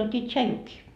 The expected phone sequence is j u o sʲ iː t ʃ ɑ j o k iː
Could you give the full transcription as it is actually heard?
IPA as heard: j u o tʲ iː t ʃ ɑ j u k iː